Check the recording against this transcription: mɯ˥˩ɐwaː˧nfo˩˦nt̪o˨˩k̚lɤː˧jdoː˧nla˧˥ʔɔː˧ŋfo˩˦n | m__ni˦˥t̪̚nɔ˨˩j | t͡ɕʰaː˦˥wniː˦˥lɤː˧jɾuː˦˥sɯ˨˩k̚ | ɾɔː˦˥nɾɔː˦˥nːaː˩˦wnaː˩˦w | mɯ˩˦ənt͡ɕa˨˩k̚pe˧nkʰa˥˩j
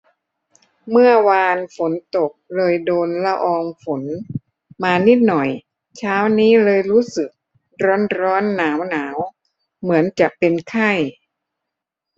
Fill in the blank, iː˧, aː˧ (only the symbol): aː˧